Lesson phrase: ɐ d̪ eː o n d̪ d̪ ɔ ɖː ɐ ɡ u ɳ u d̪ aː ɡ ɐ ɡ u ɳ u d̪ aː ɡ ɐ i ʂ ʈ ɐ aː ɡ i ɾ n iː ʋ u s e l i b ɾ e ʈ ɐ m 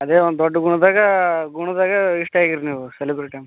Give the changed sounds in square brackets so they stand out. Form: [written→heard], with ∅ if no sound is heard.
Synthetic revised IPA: ɐ d̪ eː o n d̪ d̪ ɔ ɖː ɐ ɡ u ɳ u d̪ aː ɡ ɐ ɡ u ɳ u d̪ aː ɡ ɐ i ʂ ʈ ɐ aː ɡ i ɾ n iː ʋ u s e l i b ɾ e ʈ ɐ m